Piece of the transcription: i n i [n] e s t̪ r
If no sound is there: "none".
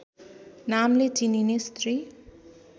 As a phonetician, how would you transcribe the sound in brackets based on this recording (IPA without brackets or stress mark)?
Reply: n